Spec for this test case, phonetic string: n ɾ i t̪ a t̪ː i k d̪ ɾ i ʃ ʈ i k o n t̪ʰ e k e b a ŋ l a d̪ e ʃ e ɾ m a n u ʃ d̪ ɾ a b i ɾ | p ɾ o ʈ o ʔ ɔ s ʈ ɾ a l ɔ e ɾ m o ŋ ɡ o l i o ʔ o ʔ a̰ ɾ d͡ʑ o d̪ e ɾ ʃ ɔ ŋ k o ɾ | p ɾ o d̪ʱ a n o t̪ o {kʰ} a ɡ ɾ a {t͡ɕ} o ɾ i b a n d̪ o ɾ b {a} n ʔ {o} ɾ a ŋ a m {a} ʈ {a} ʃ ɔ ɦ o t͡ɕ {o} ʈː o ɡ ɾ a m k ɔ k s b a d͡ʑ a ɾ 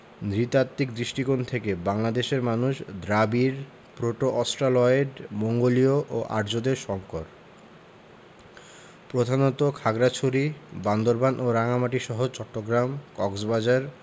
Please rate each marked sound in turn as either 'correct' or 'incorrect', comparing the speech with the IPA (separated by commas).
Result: correct, incorrect, correct, correct, correct, incorrect, incorrect